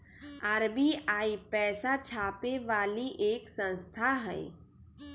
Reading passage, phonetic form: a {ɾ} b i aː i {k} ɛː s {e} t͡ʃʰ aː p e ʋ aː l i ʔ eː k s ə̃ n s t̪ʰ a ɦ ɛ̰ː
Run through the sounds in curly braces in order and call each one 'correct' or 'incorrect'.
correct, incorrect: p, incorrect: a

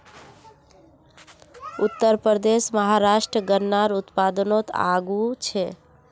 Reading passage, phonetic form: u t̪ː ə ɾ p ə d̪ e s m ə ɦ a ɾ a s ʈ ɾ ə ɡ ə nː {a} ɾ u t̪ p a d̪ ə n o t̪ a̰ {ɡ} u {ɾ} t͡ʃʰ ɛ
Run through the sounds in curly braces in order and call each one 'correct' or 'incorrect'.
correct, correct, incorrect: none

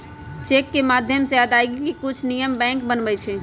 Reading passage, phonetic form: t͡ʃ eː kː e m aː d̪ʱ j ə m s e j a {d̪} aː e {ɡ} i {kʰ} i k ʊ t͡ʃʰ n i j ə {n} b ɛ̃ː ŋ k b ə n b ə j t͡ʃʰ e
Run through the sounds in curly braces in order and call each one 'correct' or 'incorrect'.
correct, correct, incorrect: k, incorrect: m

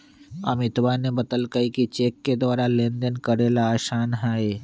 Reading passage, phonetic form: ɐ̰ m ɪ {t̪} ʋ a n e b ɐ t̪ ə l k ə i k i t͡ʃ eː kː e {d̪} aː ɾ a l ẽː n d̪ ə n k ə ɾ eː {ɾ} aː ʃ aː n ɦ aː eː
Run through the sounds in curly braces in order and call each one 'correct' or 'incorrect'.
correct, correct, incorrect: l

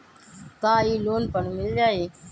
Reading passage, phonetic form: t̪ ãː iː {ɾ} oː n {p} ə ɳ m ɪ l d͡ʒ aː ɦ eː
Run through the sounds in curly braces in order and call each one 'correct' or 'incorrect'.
incorrect: l, correct

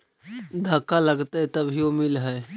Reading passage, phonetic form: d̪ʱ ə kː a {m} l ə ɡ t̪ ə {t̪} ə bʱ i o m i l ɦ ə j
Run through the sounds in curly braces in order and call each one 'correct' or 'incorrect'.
incorrect: none, correct

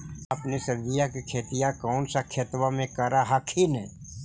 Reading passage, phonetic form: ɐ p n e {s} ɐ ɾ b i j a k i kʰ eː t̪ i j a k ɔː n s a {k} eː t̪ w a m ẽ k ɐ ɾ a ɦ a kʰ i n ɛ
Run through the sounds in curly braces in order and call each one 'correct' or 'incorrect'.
correct, incorrect: kʰ

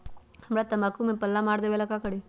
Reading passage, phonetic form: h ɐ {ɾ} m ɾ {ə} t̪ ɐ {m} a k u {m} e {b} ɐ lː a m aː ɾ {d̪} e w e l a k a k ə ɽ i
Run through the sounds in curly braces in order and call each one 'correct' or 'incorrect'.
incorrect: none, incorrect: a, correct, correct, incorrect: p, correct

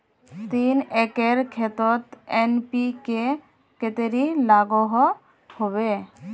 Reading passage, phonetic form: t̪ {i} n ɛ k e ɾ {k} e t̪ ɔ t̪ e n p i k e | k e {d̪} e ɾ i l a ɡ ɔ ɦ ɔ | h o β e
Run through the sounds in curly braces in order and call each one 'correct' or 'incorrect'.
correct, incorrect: kʰ, incorrect: t̪

